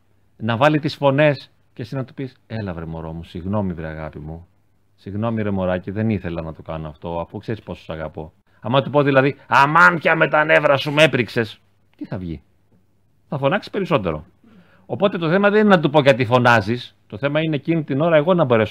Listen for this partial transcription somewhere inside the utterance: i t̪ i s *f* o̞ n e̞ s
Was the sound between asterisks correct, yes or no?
yes